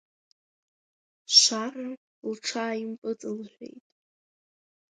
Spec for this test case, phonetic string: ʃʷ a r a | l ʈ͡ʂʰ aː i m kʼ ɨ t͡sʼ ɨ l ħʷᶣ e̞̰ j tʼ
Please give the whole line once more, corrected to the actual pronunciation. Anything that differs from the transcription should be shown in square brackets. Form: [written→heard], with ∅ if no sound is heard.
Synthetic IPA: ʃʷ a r a | l ʈ͡ʂʰ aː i m [kʼ→pʼ] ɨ t͡sʼ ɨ l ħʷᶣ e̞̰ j tʼ